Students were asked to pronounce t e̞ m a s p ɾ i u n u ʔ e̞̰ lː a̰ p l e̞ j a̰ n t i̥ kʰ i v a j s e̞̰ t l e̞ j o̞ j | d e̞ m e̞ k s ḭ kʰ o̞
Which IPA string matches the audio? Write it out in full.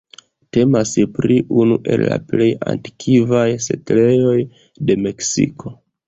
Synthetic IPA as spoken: t e̞ m a s p ɾ i u n u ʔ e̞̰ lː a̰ p l e̞ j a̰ n t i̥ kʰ i v a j s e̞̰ t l e̞ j o̞ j | d e̞ m e̞ k s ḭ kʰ o̞